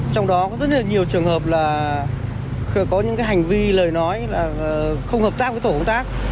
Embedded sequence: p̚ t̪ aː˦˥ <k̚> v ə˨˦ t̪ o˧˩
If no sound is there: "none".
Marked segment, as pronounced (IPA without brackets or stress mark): k̚